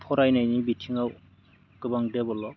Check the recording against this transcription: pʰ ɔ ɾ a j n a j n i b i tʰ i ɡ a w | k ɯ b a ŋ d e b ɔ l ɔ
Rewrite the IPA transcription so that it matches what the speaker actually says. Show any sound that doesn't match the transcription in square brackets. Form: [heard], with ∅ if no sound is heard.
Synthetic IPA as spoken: pʰ ɔ ɾ a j n a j n i b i tʰ i [ŋ] a w | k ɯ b a ŋ d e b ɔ l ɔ